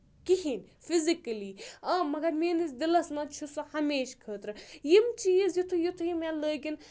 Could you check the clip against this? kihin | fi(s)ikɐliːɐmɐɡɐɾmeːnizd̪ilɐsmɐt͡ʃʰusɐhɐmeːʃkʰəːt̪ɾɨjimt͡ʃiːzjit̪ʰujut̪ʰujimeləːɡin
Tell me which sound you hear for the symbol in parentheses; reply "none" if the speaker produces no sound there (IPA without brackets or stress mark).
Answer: z